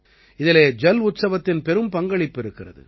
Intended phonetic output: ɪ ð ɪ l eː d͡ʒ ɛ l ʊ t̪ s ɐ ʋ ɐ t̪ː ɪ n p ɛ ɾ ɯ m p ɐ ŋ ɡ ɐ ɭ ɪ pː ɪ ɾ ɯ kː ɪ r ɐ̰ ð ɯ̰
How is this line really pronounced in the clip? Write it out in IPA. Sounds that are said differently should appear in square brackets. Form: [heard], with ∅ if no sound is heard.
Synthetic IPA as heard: ɪ ð ɪ l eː d͡ʒ ɛ l ʊ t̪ s ɐ ʋ ɐ t̪ː ɪ n p ɛ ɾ ɯ m p ɐ ŋ ɡ ɐ ɭ ɪ pː ɪ ɾ ɯ kː ɪ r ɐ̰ ð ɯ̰